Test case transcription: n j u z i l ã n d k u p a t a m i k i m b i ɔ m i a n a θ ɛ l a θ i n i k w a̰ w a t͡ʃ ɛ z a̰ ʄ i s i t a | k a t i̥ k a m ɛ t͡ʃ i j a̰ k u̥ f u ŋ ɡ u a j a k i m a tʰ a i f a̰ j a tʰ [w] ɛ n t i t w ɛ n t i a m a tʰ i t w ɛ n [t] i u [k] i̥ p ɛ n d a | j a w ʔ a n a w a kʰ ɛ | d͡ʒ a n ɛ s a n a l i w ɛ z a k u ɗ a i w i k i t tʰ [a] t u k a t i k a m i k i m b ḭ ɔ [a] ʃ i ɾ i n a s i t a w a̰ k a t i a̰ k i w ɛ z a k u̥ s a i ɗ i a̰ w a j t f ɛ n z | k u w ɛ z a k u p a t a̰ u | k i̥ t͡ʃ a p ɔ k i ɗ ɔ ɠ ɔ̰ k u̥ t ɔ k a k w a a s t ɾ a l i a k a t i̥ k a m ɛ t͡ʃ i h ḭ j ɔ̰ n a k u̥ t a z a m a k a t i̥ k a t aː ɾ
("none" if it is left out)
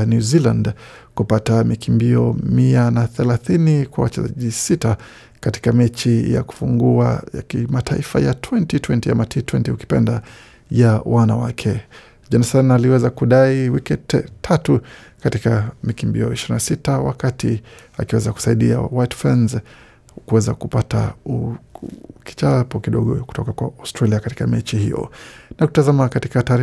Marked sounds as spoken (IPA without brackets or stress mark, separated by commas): w, t, k, a, i